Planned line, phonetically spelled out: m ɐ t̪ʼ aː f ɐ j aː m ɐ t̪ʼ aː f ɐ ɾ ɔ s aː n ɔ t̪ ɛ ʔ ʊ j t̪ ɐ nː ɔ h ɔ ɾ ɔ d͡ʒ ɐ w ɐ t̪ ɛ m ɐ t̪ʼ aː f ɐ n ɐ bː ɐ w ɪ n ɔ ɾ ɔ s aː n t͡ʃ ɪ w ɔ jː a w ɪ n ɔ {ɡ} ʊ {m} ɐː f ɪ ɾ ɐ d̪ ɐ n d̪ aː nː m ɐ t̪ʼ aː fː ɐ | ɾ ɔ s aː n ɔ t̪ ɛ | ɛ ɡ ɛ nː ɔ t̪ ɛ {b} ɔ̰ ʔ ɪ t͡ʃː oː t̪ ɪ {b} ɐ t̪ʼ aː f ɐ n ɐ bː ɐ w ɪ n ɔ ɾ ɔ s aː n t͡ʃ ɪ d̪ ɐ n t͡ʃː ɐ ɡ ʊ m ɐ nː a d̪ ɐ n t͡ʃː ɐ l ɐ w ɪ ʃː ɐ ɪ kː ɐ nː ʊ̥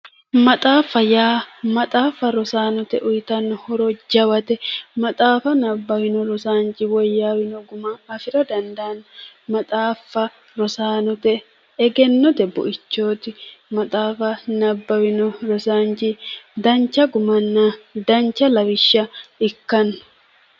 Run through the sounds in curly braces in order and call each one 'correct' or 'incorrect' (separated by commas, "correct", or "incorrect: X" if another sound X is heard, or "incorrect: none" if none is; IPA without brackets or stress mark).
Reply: correct, correct, correct, incorrect: m